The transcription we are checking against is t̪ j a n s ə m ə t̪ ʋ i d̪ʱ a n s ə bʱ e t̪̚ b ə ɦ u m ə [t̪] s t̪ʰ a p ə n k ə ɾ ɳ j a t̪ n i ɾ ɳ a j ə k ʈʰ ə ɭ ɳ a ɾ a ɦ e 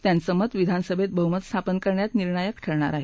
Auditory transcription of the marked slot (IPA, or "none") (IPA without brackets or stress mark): t̪